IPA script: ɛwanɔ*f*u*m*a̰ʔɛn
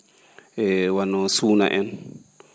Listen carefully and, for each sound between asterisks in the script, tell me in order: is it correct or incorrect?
incorrect, incorrect

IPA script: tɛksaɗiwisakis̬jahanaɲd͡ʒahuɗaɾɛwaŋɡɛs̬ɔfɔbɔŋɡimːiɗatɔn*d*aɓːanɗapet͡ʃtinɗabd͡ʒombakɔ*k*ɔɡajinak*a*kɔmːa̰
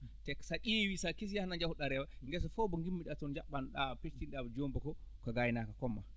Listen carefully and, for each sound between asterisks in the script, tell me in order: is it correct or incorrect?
incorrect, correct, correct

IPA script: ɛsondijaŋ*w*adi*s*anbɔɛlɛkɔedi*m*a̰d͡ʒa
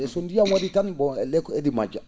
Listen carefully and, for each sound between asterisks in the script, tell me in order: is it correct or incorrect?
correct, incorrect, correct

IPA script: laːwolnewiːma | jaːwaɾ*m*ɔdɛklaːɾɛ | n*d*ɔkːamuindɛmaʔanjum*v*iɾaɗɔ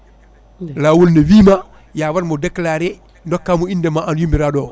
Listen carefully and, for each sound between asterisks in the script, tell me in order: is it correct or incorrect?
correct, correct, incorrect

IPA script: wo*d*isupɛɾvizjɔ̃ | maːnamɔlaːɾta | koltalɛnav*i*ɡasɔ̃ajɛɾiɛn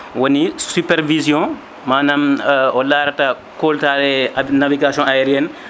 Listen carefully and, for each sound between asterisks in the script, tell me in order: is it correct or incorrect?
incorrect, correct

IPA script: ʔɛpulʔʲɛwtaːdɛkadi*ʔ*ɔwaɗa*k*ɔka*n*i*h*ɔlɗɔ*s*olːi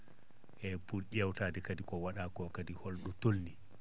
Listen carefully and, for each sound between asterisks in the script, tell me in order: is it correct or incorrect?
incorrect, correct, incorrect, correct, incorrect

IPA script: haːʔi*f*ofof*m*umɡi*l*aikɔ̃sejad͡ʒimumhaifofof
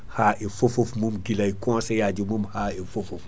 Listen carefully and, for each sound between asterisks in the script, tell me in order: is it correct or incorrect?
correct, correct, correct

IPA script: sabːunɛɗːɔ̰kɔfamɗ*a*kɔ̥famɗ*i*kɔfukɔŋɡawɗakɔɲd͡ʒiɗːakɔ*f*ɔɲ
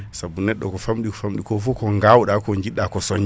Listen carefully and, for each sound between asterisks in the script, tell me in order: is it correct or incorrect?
incorrect, correct, incorrect

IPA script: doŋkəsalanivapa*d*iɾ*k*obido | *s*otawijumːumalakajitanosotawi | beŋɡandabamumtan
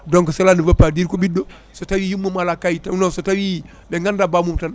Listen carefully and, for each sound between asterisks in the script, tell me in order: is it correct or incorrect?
correct, correct, correct

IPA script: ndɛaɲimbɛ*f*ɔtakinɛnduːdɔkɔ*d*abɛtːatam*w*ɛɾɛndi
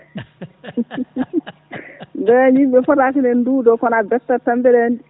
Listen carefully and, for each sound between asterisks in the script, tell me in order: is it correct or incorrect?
correct, incorrect, incorrect

